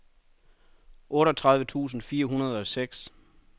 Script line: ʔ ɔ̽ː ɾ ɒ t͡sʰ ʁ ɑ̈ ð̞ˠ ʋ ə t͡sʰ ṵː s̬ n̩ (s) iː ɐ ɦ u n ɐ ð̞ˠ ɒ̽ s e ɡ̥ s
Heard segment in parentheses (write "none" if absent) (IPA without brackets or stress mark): f